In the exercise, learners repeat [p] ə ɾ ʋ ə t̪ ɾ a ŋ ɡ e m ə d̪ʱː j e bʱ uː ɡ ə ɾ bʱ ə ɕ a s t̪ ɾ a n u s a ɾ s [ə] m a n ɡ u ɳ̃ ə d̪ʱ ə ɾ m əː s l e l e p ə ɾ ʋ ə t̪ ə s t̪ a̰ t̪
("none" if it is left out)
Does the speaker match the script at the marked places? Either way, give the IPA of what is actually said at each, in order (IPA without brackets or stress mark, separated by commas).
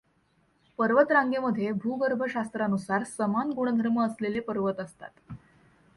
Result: p, ə